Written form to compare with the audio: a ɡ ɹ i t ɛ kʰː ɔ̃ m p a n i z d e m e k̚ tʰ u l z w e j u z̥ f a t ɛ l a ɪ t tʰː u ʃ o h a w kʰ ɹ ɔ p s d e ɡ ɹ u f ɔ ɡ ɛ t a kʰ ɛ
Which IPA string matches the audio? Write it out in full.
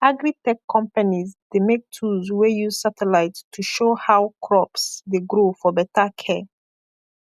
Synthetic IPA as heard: a ɡ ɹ i t ɛ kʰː ɔ̃ m p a n i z d e m e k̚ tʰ u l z w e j u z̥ s a t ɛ l a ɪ t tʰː u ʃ o h a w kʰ ɹ ɔ p s d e ɡ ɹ o f ɔ b ɛ t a kʰ ɛ